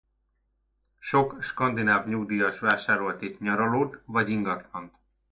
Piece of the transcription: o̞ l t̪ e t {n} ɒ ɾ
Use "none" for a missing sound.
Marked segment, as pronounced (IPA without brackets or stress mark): ɲ